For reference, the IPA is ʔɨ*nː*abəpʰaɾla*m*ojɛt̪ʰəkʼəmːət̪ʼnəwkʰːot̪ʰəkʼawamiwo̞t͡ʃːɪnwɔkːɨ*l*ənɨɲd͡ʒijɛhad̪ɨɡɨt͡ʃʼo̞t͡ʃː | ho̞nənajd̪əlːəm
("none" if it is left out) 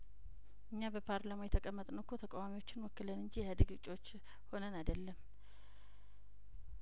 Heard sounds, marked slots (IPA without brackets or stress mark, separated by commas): ɲː, m, l